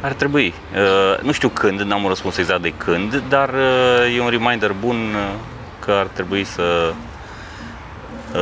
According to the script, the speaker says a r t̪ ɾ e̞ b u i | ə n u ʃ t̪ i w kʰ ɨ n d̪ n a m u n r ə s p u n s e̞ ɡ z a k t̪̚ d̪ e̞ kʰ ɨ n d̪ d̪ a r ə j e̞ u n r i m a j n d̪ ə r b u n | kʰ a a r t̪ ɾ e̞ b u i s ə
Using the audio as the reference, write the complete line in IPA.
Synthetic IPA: a r t̪ ɾ e̞ b u i | ə n u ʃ t̪ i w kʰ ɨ n d̪ n a m u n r ə s p u n s e̞ ɡ z a k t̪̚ d̪ e̞ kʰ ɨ n d̪ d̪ a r ə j e̞ u n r i m a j n d̪ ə r b u n | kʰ ə a r t̪ ɾ e̞ b u i s ə